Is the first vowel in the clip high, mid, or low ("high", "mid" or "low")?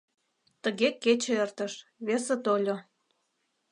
mid